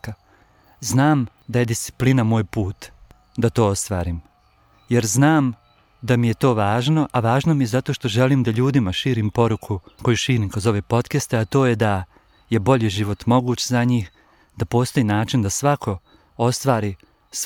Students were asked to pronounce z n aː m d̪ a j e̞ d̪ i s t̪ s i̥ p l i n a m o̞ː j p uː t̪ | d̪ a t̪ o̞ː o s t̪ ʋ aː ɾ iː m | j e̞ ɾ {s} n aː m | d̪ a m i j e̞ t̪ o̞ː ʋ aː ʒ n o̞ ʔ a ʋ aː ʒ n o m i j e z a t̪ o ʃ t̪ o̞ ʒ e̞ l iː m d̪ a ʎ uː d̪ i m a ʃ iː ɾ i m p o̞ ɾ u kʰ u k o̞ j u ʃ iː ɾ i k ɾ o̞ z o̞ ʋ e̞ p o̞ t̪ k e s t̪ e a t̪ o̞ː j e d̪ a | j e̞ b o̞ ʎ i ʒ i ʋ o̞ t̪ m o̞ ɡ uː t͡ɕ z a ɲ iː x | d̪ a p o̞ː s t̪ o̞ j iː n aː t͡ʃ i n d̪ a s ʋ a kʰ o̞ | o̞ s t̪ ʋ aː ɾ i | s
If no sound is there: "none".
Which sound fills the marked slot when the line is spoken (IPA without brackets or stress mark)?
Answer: z